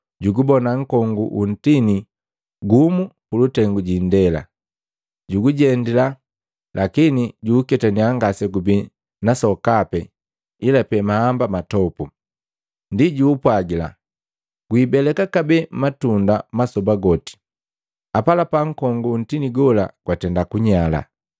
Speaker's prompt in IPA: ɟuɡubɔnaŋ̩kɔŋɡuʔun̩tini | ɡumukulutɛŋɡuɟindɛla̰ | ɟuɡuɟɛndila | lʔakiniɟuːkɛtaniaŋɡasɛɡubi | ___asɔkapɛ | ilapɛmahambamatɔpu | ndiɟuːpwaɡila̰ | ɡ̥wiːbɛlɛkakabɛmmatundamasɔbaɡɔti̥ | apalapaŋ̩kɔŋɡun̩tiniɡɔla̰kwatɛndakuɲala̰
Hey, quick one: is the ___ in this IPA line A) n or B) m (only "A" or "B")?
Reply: A